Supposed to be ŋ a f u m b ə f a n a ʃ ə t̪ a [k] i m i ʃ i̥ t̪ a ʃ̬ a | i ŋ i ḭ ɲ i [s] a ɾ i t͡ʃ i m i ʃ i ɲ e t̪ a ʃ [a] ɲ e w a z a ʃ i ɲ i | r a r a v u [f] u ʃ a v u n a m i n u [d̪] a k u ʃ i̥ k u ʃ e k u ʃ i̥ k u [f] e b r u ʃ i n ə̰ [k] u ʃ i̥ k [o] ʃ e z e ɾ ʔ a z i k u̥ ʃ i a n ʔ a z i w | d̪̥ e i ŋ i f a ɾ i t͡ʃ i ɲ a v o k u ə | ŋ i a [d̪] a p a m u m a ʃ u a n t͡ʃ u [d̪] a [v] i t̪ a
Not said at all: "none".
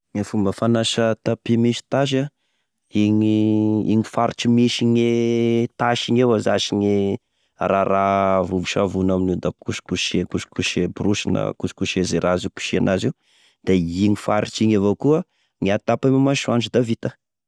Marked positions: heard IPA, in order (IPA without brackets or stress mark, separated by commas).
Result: p, f, i, v, d̪, ʃ, k, u, t̪, d̪, v